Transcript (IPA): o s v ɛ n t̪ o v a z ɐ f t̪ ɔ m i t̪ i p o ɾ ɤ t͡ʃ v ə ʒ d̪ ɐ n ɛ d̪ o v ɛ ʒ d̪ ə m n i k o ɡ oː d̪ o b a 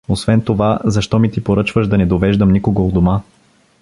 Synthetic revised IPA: o s v ɛ n t̪ o v a z ɐ ʃ t̪ ɔ m i t̪ i p o ɾ ɤ t͡ʃ v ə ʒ d̪ ɐ n ɛ d̪ o v ɛ ʒ d̪ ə m n i k o ɡ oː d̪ o m a